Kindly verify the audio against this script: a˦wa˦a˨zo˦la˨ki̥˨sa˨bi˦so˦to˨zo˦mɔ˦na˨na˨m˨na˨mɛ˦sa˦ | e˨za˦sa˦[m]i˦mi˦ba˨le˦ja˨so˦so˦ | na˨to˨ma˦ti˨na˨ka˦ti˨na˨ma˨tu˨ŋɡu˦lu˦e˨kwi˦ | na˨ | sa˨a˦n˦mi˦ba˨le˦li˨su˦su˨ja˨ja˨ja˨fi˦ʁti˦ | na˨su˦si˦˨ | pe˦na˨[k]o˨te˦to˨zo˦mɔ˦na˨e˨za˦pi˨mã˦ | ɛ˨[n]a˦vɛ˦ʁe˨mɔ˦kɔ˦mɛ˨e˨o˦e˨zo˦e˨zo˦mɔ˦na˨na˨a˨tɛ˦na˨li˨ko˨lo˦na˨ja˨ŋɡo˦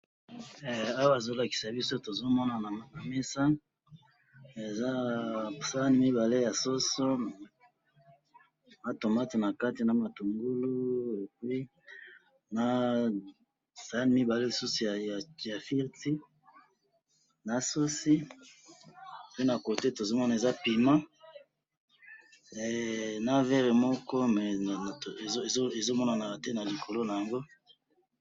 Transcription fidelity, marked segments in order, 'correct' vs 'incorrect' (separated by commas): incorrect, correct, correct